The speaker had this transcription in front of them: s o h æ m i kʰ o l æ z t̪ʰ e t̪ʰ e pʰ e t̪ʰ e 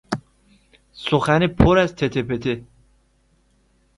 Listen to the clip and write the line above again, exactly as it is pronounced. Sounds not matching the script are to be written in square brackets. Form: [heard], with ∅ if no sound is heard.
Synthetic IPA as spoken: s o [x] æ [n] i [pʰ] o [ɾ] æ z t̪ʰ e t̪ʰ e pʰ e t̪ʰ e